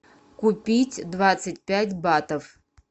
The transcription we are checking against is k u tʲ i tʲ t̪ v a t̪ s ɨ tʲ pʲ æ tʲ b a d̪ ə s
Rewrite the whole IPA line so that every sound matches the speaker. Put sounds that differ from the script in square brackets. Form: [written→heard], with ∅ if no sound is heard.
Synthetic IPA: k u [tʲ→pʲ] i tʲ [t̪→d̪] v a t̪ s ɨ tʲ pʲ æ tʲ b a [d̪→t̪] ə [s→f]